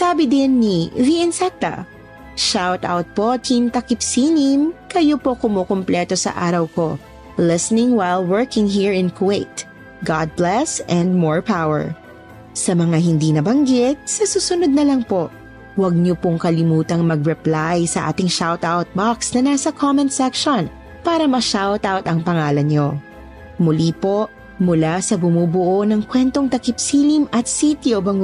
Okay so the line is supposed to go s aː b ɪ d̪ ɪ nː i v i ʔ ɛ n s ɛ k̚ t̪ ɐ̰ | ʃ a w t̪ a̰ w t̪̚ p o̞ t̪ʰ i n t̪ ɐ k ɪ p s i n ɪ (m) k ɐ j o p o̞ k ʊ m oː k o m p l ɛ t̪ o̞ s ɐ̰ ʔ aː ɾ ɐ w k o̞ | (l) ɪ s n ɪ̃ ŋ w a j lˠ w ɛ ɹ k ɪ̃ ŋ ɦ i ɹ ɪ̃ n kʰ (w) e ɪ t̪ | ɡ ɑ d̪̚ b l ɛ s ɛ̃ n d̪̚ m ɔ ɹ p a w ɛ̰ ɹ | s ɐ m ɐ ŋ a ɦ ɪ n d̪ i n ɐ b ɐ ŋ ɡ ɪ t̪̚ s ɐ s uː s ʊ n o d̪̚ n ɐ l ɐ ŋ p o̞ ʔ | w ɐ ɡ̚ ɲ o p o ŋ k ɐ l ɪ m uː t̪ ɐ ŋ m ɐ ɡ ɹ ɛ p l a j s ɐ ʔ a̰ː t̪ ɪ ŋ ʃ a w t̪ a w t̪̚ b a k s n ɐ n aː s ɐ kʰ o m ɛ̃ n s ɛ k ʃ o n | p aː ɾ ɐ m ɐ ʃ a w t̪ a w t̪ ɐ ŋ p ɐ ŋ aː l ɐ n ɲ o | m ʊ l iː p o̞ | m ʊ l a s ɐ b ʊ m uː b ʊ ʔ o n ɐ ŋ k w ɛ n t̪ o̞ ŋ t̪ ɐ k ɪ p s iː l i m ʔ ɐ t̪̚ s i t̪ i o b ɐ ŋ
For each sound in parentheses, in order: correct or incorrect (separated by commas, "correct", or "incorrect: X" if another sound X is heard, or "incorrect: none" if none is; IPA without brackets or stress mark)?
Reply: correct, correct, correct